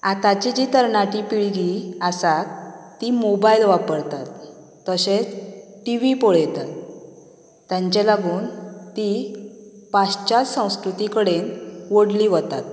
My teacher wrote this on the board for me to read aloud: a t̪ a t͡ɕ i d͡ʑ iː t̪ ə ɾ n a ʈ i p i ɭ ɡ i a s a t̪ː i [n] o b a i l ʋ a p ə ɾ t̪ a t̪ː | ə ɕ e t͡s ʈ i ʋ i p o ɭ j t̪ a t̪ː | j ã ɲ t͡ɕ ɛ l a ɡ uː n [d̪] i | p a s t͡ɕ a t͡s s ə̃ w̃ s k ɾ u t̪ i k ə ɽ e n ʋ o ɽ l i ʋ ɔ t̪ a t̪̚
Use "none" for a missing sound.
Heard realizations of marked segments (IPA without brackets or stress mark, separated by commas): m, t̪